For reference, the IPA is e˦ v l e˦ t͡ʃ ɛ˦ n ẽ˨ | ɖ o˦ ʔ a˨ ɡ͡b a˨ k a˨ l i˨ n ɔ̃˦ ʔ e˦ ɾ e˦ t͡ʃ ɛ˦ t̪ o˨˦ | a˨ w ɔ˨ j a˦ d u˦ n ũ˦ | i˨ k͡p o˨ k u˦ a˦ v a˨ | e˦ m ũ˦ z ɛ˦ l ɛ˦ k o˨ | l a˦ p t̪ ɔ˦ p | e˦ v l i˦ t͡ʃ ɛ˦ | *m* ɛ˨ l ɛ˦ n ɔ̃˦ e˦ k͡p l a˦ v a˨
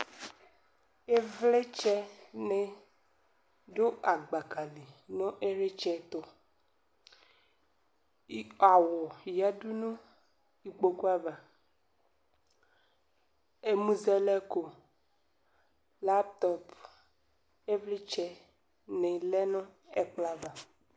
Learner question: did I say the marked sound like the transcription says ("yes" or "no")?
no